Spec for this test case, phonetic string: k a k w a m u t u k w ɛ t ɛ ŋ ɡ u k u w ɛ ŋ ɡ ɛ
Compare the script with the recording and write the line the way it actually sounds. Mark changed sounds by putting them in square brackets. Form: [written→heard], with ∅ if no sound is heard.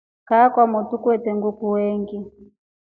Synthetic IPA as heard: k a k w a m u t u k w ɛ t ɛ ŋ ɡ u k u w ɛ ŋ ɡ [ɛ→i]